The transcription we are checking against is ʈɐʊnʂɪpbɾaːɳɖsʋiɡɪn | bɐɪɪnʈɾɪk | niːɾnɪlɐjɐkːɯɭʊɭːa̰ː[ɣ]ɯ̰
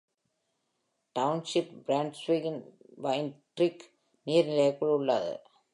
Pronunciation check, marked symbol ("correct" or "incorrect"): incorrect